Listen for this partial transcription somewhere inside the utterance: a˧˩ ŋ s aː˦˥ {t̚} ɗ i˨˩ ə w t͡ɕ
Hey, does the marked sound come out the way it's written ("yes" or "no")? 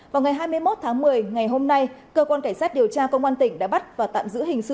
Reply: yes